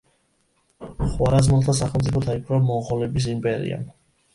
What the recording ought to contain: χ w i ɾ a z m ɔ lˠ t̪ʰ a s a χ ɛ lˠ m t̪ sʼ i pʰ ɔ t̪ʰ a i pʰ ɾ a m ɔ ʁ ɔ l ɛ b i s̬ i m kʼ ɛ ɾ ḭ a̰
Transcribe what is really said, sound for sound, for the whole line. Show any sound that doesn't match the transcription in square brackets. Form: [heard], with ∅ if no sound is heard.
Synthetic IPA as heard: χ w [a] ɾ a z m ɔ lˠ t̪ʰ a s a χ ɛ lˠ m t̪ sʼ i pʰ ɔ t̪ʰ a i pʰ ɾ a m ɔ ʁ ɔ l ɛ b i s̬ i m [pʼ] ɛ ɾ ḭ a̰